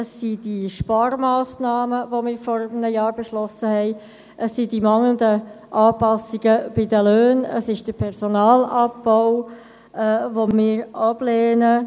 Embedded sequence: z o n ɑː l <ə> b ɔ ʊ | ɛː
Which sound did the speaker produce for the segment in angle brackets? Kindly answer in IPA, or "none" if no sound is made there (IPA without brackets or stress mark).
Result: ɑ